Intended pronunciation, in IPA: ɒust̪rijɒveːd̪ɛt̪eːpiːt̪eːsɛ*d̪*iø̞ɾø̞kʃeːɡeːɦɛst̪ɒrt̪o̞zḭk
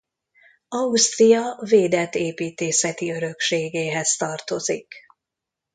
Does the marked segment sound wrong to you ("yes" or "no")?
yes